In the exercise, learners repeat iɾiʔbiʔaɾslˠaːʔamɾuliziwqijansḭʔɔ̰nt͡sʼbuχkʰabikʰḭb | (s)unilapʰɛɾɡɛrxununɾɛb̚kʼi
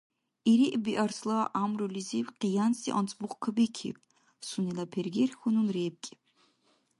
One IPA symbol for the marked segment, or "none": s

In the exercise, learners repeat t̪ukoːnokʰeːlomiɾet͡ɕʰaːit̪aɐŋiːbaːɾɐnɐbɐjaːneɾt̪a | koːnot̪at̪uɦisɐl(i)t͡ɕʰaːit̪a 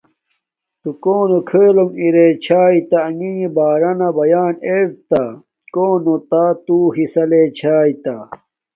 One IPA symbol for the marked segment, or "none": e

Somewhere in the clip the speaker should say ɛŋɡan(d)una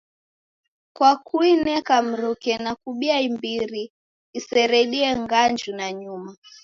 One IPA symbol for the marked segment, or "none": d͡ʒ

